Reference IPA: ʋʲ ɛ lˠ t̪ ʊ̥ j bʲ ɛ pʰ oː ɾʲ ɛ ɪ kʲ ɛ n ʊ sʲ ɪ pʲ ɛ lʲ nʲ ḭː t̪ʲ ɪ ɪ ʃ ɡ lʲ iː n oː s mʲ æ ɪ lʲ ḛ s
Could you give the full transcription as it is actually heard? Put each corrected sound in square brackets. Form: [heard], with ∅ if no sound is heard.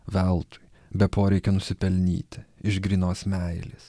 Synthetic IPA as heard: ʋʲ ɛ lˠ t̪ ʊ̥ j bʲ ɛ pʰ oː ɾʲ ɛ ɪ kʲ ɛ n ʊ sʲ ɪ pʲ ɛ lʲ nʲ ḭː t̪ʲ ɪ ɪ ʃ ɡ [ɾʲ] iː n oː s mʲ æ ɪ lʲ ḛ s